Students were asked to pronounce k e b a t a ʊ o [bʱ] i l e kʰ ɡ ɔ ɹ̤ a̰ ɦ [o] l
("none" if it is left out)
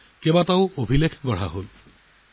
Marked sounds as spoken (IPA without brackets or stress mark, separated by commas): bʱ, o